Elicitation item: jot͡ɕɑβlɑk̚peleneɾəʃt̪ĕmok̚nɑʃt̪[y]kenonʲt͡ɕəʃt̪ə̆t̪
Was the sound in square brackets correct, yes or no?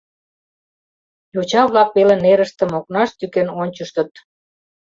yes